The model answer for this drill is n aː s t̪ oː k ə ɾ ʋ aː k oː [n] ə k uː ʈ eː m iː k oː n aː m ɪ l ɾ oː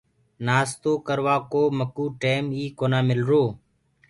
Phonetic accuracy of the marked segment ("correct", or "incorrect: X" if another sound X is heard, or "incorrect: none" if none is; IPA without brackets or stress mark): incorrect: m